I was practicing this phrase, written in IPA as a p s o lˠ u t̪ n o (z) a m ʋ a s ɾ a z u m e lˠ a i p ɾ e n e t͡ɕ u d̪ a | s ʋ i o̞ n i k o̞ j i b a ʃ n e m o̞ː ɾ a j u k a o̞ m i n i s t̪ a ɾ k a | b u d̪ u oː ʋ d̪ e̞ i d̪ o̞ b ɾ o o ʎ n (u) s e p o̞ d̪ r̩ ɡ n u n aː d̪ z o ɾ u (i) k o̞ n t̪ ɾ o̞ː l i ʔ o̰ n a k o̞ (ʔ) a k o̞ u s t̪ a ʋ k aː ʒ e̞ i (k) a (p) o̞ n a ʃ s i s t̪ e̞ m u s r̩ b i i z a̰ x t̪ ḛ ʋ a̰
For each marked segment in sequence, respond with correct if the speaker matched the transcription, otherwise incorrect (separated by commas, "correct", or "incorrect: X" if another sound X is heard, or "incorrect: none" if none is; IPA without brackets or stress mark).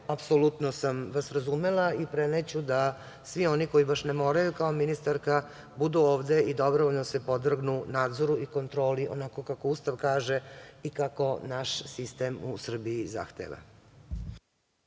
incorrect: s, incorrect: o, correct, incorrect: k, correct, incorrect: k